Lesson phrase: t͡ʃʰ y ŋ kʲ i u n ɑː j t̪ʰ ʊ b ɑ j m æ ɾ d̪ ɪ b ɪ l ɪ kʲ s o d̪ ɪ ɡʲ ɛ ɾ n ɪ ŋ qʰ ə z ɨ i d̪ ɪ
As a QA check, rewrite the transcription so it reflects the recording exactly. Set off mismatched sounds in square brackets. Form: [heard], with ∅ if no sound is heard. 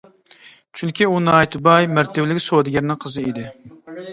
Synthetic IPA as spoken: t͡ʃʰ y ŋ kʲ i u n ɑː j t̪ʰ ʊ b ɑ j m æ ɾ [t̪] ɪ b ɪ l ɪ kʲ s o d̪ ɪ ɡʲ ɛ ɾ n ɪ ŋ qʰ ə z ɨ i d̪ ɪ